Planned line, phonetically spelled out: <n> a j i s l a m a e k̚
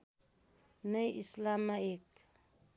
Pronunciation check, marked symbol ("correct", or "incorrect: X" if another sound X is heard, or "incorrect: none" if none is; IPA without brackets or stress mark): correct